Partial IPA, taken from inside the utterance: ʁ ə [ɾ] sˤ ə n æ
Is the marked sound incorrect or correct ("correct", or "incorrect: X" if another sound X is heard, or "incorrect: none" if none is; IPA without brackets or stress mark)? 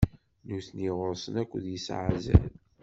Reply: correct